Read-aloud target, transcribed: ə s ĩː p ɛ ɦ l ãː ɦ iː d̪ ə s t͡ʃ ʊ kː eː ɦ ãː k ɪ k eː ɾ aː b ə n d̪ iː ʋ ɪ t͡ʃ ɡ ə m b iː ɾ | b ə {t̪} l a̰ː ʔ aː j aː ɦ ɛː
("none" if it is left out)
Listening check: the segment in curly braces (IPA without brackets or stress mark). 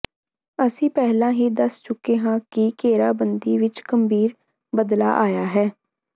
d̪